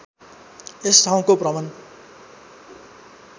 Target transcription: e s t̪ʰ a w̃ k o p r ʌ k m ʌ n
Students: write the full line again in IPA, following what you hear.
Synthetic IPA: e s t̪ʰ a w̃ k o p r ʌ m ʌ n